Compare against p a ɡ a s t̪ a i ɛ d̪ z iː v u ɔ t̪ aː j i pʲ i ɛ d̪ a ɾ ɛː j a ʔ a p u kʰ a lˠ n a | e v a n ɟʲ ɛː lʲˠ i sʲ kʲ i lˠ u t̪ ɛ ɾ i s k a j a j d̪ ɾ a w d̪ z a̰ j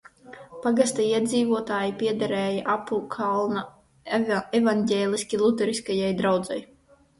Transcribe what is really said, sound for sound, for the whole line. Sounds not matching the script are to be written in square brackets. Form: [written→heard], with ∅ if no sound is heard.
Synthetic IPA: p a ɡ a s t̪ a i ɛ d̪ z iː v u ɔ t̪ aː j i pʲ i ɛ d̪ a ɾ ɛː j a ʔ a p u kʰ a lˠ n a | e v a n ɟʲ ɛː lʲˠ i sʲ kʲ i lˠ u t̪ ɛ ɾ i s k a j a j d̪ ɾ a w d̪ z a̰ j